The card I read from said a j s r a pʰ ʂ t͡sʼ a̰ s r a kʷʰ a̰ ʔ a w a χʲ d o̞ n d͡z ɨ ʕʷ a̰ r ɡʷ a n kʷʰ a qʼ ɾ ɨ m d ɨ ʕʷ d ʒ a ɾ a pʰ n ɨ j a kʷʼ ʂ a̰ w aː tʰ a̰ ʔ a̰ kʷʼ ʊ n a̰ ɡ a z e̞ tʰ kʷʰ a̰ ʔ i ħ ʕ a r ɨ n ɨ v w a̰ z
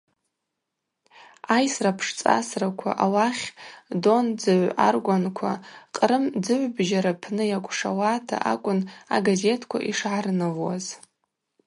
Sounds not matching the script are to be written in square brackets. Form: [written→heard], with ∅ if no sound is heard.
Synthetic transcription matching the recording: a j s r a pʰ ʂ t͡sʼ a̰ s r a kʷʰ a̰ ʔ a w a χʲ d o̞ n d͡z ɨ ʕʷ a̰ r ɡʷ a n kʷʰ a qʼ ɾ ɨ m [d→d͡z] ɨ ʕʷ [d→b] ʒ a ɾ a pʰ n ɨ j a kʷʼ ʂ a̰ w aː tʰ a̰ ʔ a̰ kʷʼ ʊ n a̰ ɡ a z e̞ tʰ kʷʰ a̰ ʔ i [ħ→ʂ] ʕ a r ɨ n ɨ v w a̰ z